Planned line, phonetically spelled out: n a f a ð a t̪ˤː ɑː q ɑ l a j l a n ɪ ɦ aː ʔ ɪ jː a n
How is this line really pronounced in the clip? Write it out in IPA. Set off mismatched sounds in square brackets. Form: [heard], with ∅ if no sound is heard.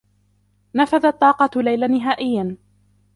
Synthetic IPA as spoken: n a f a ð a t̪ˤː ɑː q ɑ l a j l a n ɪ ɦ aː ʔ ɪ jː a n